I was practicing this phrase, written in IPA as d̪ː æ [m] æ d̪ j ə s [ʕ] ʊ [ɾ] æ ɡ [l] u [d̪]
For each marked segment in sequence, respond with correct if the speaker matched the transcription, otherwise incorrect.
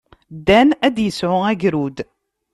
incorrect: n, correct, incorrect: none, incorrect: ɾ, correct

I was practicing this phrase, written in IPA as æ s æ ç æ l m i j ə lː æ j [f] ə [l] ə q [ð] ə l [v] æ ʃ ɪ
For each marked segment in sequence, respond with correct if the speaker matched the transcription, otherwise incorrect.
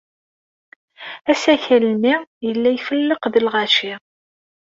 correct, incorrect: lː, correct, incorrect: ʁ

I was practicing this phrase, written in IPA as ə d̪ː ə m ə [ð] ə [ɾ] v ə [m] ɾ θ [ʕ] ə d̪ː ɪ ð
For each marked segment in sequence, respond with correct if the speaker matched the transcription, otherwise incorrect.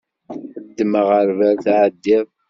incorrect: ʁ, correct, incorrect: none, correct

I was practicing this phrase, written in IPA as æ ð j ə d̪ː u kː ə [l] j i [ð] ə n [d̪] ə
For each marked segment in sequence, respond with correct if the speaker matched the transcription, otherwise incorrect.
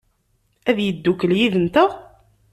correct, correct, incorrect: t̪

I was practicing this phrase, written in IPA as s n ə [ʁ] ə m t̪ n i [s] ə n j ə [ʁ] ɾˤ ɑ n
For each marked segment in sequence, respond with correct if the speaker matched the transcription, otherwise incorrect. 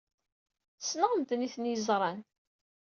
correct, incorrect: θ, incorrect: z

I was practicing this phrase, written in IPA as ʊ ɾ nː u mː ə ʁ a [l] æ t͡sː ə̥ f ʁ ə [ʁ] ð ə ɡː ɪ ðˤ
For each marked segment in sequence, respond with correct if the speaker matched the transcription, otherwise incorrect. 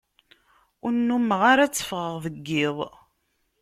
incorrect: ɾ, correct

